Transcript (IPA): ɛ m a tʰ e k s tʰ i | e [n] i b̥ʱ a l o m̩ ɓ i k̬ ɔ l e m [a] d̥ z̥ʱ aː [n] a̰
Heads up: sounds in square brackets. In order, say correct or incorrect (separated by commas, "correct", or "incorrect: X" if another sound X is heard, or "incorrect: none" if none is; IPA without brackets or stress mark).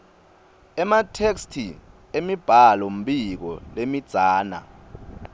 incorrect: m, incorrect: i, correct